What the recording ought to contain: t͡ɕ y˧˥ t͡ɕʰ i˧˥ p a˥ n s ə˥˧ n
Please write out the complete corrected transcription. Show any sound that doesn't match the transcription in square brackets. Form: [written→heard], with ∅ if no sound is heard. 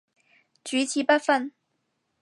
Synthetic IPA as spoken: t͡ɕ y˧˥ t͡ɕʰ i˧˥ p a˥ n [s→f] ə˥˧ n